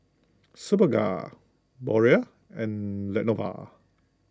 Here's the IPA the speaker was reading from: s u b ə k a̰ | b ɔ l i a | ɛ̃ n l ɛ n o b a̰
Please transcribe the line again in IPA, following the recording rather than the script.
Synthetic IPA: s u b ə ɡ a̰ | b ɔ ɹ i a | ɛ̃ n l ɛ n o v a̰